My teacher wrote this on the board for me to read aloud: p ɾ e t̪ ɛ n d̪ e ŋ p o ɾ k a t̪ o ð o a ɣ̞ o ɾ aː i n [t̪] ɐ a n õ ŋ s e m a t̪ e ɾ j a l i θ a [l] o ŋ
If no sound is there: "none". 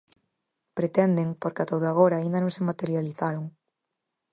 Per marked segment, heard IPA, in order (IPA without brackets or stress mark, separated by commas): d̪, ɾ